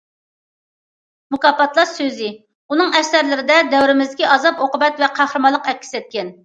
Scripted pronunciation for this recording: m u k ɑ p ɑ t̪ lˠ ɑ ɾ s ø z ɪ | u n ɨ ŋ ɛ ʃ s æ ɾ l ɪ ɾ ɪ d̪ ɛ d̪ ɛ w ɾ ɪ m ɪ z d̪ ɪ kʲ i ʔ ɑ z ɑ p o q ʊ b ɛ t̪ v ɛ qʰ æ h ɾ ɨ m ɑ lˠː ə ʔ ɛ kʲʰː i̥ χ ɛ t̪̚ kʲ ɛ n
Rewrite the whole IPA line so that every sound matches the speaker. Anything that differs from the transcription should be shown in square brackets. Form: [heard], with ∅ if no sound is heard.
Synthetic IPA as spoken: m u k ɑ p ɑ t̪ lˠ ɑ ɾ s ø z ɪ | u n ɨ ŋ ɛ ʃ s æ ɾ l ɪ ɾ ɪ d̪ ɛ d̪ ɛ w ɾ ɪ m ɪ z d̪ ɪ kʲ i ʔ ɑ z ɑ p o q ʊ b ɛ t̪ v ɛ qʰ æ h ɾ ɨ m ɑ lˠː ə [q] ɛ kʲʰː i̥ [s] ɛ t̪̚ kʲ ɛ n

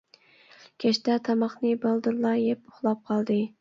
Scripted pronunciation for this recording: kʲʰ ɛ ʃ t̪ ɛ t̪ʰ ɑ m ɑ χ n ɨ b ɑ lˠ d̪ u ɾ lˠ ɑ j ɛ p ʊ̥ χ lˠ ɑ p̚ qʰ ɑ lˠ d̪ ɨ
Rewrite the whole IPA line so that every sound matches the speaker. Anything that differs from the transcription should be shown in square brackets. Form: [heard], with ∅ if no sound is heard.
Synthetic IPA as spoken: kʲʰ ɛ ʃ t̪ ɛ t̪ʰ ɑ m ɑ χ n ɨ b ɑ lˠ d̪ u ɾ lˠ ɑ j ɛ p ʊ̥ χ lˠ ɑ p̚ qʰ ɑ lˠ d̪ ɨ

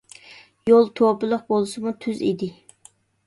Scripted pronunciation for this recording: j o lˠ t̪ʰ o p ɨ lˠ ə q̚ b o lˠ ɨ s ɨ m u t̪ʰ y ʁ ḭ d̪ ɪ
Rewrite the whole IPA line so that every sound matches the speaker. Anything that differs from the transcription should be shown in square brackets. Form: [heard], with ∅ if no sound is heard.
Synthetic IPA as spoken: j o lˠ t̪ʰ o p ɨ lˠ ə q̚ b o lˠ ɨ s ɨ m u t̪ʰ y [z] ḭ d̪ ɪ

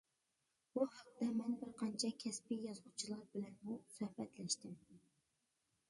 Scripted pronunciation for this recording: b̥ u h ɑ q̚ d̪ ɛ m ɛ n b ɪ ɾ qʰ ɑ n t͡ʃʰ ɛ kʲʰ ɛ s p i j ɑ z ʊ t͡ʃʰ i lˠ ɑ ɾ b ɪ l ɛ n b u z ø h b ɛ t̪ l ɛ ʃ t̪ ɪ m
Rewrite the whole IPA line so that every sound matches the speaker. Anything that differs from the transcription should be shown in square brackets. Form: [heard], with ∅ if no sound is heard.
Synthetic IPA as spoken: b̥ u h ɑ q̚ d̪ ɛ m ɛ n b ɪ ɾ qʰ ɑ n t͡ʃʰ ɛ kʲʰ ɛ s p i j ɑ z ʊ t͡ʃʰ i lˠ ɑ ɾ b ɪ l ɛ n [m] u [s] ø h b ɛ t̪ l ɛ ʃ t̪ ɪ m

